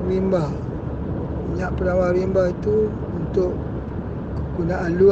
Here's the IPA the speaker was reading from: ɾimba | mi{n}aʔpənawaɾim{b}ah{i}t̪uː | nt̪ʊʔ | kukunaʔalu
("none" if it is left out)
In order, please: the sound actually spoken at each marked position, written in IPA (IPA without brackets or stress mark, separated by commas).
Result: ɲ, b, i